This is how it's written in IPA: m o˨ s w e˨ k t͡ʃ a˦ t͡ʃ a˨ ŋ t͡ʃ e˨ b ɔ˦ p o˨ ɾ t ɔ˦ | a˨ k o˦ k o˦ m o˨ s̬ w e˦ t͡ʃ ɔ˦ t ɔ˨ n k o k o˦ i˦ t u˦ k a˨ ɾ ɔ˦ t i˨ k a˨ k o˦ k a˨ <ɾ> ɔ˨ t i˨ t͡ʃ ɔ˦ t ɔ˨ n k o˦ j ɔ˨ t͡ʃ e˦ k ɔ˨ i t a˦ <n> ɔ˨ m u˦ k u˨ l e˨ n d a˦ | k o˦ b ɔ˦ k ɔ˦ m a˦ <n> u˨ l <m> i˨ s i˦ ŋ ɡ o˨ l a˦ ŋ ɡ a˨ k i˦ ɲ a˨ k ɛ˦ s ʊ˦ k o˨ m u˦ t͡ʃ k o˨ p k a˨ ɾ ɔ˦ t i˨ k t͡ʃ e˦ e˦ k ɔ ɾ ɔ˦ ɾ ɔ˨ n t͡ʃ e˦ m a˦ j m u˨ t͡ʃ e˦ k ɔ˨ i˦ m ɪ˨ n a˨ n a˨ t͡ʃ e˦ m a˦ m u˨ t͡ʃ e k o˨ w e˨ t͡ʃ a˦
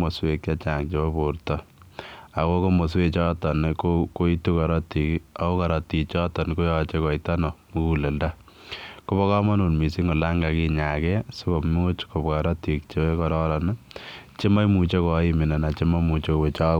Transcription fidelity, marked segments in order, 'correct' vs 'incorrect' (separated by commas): correct, correct, correct, correct